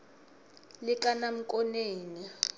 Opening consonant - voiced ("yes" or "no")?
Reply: yes